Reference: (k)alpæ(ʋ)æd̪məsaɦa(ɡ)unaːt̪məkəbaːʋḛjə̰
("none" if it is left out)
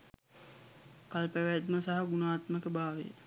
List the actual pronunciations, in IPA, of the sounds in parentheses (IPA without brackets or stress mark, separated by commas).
k, ʋ, ɡ